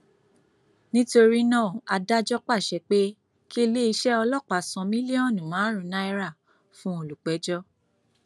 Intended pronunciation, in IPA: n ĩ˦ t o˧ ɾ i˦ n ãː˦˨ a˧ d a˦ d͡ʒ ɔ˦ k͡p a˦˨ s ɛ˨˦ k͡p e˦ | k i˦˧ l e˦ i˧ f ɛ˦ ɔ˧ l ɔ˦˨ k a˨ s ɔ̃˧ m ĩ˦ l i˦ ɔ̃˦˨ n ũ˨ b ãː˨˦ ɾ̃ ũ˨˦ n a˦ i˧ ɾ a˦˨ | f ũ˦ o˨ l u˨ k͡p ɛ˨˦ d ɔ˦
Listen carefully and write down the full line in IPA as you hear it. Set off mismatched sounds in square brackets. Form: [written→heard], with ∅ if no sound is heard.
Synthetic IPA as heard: n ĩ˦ t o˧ ɾ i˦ n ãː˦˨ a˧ d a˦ d͡ʒ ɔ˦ k͡p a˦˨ [s→ʃ] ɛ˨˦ k͡p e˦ | k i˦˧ l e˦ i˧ [f→ʃ] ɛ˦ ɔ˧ l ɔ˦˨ [k→k͡p] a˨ s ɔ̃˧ m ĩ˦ l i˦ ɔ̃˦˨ n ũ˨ [b→m] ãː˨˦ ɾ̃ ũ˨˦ n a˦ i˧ ɾ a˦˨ | f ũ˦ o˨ l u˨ k͡p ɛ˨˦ [d→d͡ʒ] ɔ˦